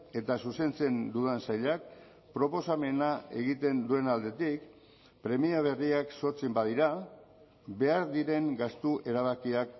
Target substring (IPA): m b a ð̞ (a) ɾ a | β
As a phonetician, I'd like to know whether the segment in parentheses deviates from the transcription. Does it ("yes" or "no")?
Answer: yes